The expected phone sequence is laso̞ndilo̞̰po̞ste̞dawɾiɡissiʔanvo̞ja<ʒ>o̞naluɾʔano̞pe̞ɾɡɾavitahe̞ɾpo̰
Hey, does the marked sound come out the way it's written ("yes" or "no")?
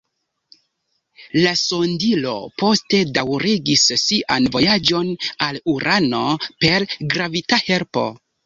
no